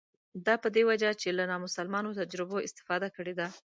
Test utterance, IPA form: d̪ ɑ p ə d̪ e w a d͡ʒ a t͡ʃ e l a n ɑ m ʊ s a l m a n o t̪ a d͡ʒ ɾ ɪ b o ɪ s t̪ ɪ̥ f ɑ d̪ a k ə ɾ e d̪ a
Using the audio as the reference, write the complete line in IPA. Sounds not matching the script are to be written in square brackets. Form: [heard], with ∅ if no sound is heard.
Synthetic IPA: d̪ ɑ p ə d̪ e w a d͡ʒ a t͡ʃ e l a n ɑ m ʊ s a l m [ɑ] n o t̪ a d͡ʒ ɾ ɪ b o ɪ s t̪ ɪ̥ f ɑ d̪ a k ə [ɽ] e d̪ a